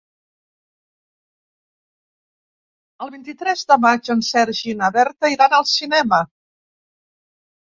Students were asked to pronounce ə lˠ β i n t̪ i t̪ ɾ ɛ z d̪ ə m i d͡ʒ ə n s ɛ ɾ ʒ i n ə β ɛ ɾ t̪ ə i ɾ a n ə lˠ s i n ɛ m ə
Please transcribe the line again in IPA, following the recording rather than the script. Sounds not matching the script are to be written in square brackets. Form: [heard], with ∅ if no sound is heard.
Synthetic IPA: ə lˠ β i n t̪ i t̪ ɾ ɛ z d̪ ə m [a] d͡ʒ ə n s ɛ ɾ ʒ i n ə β ɛ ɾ t̪ ə i ɾ a n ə lˠ s i n ɛ m ə